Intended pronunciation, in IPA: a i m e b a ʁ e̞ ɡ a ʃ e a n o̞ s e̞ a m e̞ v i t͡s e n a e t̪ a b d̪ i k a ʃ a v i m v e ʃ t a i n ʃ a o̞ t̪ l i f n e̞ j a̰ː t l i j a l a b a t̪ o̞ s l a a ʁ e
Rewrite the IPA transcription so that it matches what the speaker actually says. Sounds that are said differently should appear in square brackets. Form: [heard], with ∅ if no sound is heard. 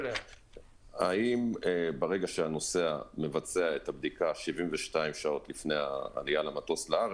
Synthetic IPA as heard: a i m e b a ʁ e̞ ɡ a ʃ e a n o̞ s e̞ a m e̞ v [a] t͡s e [∅] a e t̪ a b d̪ i k a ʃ [i] v i m v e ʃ t a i [m] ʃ a o̞ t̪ l i f n e̞ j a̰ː [∅] l i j a l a [m] a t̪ o̞ s l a a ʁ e